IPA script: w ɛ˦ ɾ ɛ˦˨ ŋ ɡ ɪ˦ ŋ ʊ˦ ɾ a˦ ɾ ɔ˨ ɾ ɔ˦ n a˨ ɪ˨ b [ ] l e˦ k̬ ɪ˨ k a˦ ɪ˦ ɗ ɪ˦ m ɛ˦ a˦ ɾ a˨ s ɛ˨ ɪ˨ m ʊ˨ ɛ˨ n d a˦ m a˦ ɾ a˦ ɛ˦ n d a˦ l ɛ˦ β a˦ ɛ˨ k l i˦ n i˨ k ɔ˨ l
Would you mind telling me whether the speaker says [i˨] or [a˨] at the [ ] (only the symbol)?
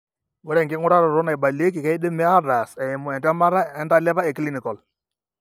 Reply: a˨